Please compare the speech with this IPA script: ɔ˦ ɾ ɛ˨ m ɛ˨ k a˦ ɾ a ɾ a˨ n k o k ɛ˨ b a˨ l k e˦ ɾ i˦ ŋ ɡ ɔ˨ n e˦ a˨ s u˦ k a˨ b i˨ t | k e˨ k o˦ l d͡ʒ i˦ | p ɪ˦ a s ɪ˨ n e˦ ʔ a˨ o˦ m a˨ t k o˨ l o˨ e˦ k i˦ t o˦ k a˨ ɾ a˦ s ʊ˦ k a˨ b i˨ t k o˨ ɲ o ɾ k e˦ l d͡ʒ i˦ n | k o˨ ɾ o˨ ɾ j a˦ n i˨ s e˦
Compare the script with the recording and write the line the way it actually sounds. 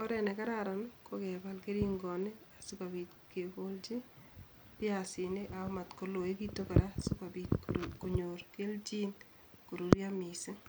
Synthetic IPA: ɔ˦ ɾ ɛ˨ n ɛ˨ k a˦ ɾ a ɾ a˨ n k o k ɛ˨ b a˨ l k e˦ ɾ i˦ ŋ ɡ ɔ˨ n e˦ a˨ s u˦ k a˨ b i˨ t | k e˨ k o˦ l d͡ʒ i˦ | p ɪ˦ a s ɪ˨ n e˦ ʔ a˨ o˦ m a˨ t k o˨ l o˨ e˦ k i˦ t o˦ k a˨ ɾ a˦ s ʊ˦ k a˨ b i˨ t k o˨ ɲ o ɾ k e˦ l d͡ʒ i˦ n | k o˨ ɾ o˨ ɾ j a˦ m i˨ s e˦